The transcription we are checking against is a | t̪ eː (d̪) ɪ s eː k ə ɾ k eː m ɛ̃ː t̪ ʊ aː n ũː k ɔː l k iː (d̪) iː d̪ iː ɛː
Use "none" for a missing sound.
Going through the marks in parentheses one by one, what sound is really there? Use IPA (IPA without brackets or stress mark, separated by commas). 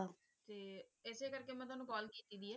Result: none, t̪